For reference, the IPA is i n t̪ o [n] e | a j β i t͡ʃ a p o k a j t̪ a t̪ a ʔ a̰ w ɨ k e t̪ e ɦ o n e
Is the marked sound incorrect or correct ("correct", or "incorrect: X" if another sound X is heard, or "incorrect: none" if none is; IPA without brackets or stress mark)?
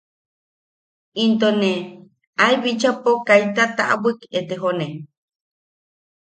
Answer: correct